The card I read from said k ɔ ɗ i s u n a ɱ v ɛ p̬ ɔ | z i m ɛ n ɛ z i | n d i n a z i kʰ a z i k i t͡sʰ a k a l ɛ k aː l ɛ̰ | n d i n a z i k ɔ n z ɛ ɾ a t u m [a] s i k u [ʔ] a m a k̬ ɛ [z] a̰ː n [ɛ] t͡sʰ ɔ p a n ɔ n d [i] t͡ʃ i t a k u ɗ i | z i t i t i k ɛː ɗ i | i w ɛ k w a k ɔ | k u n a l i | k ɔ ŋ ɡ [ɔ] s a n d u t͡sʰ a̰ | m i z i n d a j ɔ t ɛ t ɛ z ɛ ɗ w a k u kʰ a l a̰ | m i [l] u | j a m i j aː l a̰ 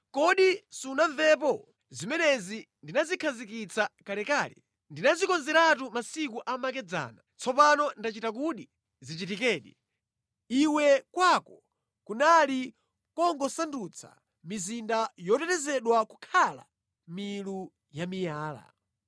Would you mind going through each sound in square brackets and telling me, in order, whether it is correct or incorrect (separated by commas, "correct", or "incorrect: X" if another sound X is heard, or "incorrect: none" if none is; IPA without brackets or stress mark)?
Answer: correct, correct, incorrect: d͡z, incorrect: a, incorrect: a, correct, correct